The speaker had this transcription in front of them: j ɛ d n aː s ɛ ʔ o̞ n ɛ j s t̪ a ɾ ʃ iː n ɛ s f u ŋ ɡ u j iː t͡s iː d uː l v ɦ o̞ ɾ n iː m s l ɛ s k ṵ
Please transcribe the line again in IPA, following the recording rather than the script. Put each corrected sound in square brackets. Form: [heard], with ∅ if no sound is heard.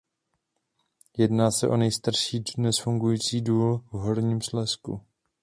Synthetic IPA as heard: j ɛ d n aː s ɛ ʔ o̞ n ɛ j s t̪ a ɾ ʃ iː n ɛ s f u ŋ ɡ u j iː t͡s iː d uː l v ɦ o̞ ɾ [ɲ] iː m s l ɛ s k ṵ